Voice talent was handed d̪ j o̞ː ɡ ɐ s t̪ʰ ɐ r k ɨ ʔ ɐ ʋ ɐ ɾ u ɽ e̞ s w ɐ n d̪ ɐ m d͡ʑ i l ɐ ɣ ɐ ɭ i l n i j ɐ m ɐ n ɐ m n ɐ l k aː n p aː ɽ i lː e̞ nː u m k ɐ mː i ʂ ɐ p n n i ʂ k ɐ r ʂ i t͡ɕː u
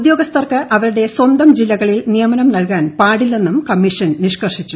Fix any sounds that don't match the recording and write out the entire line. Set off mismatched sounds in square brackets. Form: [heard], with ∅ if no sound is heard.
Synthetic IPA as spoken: d̪ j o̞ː ɡ ɐ s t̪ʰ ɐ r k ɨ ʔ ɐ ʋ ɐ ɾ u ɽ e̞ s w ɐ n d̪ ɐ m d͡ʑ i [lː] ɐ ɣ ɐ ɭ i l n i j ɐ m ɐ n ɐ m n ɐ l k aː n p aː ɽ i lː e̞ nː u m k ɐ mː i ʂ ɐ [∅] n n i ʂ k ɐ r ʂ i t͡ɕː u